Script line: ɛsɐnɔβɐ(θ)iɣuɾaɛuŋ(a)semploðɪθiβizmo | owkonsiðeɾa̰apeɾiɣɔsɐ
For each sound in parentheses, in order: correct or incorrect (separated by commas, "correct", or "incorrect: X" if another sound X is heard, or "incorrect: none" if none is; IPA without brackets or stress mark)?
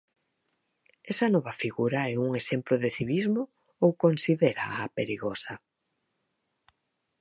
incorrect: f, incorrect: e